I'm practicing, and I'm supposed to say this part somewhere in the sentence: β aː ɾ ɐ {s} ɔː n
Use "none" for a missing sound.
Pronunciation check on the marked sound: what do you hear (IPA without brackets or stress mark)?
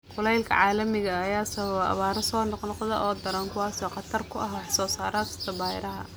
s